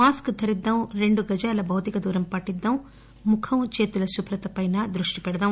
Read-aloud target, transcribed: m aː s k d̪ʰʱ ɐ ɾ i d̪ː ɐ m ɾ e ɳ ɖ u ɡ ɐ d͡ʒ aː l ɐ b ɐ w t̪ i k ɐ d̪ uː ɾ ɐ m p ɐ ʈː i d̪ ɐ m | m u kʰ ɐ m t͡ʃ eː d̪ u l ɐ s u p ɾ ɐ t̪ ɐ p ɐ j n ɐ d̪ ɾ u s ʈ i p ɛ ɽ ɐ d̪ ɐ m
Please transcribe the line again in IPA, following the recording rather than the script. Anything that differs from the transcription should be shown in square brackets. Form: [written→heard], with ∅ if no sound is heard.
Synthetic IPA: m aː s k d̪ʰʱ ɐ ɾ i d̪ː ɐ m ɾ e ɳ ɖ u ɡ ɐ d͡ʒ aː l ɐ b ɐ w t̪ i k ɐ d̪ uː ɾ ɐ m p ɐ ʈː i [d̪→d̪ː] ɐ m | m u kʰ ɐ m t͡ʃ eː [d̪→t̪] u l ɐ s u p ɾ ɐ t̪ ɐ p ɐ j n ɐ d̪ ɾ u [s→ʂ] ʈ i p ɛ ɽ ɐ d̪ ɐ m